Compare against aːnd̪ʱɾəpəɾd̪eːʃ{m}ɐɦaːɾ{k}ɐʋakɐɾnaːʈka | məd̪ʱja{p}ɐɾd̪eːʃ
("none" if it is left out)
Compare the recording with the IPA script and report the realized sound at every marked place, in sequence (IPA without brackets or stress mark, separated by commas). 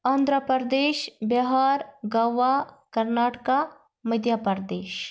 b, ɡ, p